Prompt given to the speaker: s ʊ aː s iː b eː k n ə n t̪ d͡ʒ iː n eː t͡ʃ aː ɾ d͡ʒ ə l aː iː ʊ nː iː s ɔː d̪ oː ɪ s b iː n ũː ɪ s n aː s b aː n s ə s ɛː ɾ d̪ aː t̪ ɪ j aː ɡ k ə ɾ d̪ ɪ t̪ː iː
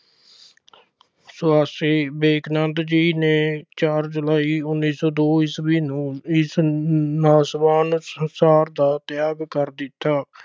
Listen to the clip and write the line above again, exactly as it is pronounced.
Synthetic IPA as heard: s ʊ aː s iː b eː k n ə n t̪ d͡ʒ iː n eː t͡ʃ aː ɾ d͡ʒ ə l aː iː ʊ nː iː s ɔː d̪ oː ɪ s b iː n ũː ɪ s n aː s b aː n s ə s aː ɾ d̪ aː t̪ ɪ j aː ɡ k ə ɾ d̪ ɪ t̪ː aː